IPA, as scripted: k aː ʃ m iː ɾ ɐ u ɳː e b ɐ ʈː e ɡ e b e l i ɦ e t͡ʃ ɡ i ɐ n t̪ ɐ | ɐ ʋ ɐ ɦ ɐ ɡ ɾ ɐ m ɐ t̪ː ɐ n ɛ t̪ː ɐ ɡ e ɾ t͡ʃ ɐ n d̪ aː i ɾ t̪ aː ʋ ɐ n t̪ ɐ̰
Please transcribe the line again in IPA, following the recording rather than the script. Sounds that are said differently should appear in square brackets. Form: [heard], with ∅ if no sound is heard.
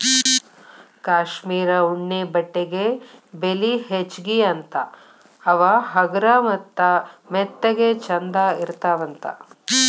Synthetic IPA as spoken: k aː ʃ m iː ɾ ɐ u ɳː e b ɐ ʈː e ɡ e b e l i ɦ e t͡ʃ ɡ i ɐ n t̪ ɐ | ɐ ʋ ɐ ɦ ɐ ɡ ɾ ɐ m ɐ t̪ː ɐ [m] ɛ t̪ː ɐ ɡ e [∅] t͡ʃ ɐ n d̪ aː i ɾ t̪ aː ʋ ɐ n t̪ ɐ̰